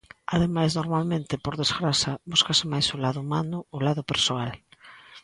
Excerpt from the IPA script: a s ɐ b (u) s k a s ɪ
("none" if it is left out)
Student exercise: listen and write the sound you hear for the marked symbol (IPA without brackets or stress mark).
u